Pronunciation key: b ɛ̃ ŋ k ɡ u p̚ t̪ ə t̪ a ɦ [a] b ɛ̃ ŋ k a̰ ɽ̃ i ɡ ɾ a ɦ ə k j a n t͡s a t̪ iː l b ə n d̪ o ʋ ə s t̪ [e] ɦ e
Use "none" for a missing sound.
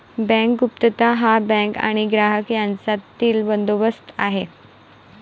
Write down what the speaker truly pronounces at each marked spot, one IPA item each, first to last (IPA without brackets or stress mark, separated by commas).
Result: a, a